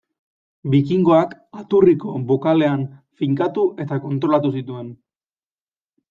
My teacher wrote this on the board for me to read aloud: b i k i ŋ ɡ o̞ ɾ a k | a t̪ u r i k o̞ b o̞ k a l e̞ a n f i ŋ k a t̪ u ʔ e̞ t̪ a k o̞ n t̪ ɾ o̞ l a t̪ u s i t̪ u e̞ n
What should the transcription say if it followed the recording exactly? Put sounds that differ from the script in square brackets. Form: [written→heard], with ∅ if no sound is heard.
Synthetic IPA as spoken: b i k i ŋ ɡ o̞ [ɾ→∅] a k | a t̪ u r i k o̞ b o̞ k a l e̞ a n f i ŋ k a t̪ u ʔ e̞ t̪ a k o̞ n t̪ ɾ o̞ l a t̪ u s i t̪ u e̞ n